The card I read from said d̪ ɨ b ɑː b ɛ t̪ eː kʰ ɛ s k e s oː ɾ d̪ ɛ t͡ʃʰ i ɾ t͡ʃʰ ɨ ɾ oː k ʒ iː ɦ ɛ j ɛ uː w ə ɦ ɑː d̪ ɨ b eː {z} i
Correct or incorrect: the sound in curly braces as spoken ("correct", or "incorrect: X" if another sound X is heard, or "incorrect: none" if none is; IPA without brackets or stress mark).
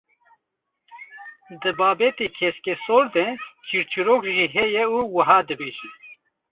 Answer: incorrect: ʒ